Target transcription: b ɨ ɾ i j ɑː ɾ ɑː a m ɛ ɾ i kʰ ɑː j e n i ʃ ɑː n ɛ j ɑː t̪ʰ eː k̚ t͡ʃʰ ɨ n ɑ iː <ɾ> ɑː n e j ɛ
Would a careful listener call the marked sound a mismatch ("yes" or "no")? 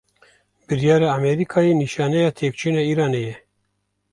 no